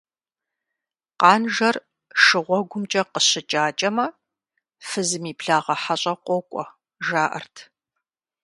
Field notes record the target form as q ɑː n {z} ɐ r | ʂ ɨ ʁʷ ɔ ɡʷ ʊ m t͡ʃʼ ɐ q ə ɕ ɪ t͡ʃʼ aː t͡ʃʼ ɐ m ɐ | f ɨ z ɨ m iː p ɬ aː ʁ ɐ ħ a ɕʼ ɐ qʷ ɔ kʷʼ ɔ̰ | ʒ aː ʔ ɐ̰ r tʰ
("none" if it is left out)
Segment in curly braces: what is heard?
ʒ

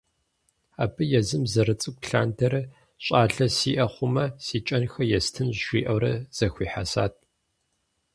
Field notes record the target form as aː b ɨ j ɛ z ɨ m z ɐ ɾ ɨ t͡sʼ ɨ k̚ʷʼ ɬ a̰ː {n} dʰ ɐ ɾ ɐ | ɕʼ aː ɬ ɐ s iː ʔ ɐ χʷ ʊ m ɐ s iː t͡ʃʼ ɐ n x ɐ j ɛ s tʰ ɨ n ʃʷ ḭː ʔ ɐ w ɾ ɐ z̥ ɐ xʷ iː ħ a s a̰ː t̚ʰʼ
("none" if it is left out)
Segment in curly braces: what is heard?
n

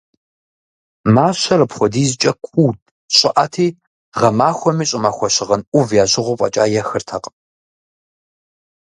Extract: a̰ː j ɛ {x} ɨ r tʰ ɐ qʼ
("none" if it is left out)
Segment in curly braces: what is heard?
x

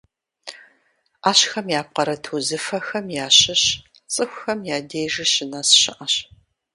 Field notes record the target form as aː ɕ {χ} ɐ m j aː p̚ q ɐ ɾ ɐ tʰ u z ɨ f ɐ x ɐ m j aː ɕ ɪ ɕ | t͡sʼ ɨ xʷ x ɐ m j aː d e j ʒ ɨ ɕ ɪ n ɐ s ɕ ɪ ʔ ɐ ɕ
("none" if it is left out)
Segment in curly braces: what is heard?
x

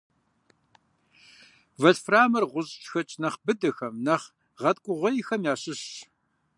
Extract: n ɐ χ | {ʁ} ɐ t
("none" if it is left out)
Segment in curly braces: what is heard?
ʁ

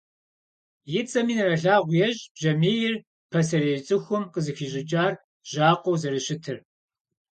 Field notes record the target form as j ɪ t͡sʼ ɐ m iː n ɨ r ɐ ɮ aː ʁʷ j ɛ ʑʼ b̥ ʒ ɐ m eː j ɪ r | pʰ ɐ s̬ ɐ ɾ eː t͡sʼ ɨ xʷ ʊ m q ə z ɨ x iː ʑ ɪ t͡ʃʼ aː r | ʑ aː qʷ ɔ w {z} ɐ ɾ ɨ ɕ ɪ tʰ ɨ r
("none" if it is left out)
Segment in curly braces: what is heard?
z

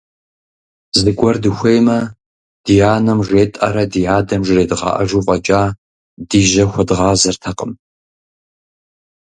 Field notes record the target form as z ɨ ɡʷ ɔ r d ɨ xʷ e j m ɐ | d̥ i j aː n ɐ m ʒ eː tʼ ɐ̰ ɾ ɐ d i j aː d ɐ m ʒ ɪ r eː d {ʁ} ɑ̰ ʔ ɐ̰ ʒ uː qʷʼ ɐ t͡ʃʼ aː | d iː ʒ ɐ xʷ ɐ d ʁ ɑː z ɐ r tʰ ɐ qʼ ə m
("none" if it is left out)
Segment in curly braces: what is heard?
ʁ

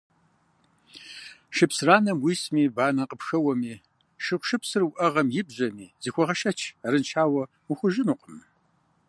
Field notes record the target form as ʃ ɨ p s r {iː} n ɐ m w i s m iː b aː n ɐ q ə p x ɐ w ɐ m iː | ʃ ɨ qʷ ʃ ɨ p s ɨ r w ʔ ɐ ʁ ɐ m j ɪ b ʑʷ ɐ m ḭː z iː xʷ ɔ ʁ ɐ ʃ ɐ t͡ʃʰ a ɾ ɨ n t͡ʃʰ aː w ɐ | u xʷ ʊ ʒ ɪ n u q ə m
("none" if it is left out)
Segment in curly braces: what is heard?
aː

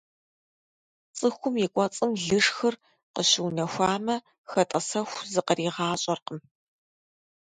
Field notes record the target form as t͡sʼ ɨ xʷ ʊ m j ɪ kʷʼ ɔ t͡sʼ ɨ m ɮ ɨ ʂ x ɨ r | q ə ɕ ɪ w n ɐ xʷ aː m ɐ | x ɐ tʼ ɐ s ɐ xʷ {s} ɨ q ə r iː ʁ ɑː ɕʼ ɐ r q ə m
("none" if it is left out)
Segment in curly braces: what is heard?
z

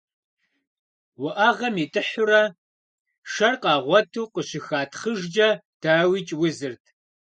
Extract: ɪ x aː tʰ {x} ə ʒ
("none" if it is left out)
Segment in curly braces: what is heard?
χ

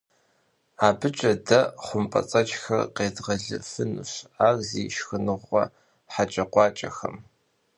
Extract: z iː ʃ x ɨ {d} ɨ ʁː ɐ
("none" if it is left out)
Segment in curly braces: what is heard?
n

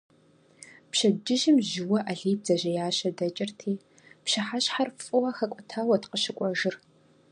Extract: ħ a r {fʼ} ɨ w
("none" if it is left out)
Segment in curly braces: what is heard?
fʼ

